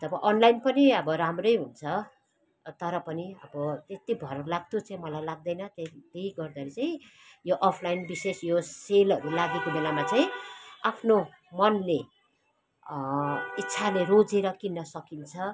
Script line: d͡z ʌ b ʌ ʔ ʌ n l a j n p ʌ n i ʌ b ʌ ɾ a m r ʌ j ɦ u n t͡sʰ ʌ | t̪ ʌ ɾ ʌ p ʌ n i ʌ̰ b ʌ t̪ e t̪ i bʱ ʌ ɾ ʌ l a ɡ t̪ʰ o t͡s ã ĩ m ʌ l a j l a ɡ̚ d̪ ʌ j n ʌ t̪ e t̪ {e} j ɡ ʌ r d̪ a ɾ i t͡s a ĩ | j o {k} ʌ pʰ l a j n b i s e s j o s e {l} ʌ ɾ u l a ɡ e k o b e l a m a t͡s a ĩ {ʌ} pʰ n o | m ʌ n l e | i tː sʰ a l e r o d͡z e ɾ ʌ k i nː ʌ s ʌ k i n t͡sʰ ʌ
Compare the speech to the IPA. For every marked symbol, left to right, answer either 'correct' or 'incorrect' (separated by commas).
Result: correct, incorrect, correct, incorrect